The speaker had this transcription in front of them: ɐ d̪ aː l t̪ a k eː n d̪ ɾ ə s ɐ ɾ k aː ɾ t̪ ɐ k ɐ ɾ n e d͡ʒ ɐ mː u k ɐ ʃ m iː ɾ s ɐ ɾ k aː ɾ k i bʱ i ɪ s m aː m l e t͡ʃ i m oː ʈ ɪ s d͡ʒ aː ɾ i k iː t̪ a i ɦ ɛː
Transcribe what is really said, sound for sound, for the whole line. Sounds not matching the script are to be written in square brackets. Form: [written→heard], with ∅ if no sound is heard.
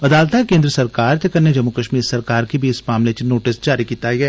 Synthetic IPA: ɐ d̪ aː l t̪ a k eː n d̪ ɾ ə s ɐ ɾ k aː ɾ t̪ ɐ k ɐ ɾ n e d͡ʒ ɐ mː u k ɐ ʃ m iː ɾ s ɐ ɾ k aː ɾ k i bʱ i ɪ s m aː m l e t͡ʃ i [m→n] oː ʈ ɪ s d͡ʒ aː ɾ i k iː t̪ a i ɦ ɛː